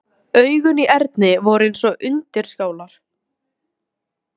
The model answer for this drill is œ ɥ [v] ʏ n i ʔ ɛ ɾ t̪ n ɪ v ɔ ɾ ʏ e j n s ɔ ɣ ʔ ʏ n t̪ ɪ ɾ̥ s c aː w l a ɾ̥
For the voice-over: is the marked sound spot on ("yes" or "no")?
no